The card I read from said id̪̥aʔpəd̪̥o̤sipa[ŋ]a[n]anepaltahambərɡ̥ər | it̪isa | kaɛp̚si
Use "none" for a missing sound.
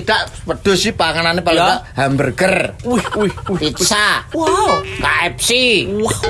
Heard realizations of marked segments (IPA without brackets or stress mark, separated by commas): ŋ, n